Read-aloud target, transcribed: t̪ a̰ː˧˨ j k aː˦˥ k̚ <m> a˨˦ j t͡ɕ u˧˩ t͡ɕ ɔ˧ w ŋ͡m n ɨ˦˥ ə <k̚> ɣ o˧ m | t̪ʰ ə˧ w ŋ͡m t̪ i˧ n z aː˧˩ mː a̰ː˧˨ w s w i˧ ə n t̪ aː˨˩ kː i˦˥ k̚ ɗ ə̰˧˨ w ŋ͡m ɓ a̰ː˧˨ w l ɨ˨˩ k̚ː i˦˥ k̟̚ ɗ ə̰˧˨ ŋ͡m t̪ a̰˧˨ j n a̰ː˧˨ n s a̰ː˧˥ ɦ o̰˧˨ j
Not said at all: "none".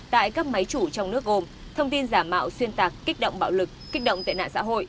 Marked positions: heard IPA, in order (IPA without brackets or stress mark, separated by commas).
m, k̚